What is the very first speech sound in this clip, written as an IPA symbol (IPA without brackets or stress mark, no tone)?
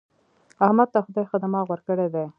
a